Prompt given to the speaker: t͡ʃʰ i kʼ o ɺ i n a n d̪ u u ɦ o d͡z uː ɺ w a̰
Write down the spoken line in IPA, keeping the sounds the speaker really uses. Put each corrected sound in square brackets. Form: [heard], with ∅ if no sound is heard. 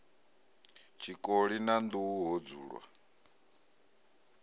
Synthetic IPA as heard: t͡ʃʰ i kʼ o ɺ i n a n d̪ u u ɦ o d͡z uː ɺ w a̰

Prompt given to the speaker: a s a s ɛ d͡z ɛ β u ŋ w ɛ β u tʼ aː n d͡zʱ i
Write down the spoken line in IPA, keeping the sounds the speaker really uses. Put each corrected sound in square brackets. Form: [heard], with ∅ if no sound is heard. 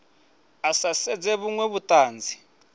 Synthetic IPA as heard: a s a s ɛ d͡z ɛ β u ŋ w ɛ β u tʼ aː n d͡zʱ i

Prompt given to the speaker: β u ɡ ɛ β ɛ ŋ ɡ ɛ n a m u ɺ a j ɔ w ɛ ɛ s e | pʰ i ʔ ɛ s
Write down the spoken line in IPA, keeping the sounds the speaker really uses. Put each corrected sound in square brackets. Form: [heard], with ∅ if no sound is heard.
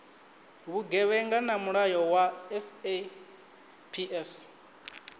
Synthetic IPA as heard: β u ɡ ɛ β ɛ ŋ ɡ [a] n a m u ɺ a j ɔ w [a] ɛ s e | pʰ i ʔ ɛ s

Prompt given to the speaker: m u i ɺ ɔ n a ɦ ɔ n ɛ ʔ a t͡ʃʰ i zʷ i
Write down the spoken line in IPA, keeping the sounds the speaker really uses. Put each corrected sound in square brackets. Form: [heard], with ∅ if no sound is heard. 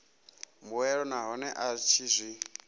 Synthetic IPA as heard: m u [ɛ] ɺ ɔ n a ɦ ɔ n ɛ ʔ a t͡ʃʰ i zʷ i

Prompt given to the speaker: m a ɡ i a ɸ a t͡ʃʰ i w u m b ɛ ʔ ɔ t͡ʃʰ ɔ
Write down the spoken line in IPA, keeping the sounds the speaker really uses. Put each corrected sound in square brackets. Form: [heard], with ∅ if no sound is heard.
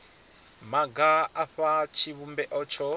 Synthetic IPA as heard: m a ɡ [a] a ɸ a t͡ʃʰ i [β] u m b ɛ ʔ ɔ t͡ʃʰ ɔ

